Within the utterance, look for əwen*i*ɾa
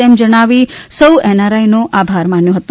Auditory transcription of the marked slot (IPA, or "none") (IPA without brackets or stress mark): a